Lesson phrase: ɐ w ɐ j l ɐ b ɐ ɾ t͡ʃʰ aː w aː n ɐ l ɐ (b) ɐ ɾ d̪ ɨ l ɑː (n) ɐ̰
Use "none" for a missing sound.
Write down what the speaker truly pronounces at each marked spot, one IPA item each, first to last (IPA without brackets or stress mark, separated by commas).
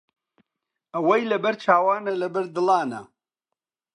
b, n